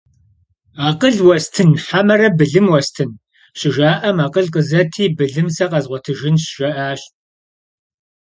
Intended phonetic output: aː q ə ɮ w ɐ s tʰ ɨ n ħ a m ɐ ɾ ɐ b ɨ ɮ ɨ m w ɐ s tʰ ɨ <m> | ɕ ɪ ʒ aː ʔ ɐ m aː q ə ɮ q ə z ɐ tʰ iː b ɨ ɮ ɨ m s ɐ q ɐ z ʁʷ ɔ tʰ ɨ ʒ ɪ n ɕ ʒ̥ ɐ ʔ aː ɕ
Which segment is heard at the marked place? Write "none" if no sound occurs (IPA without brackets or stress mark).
n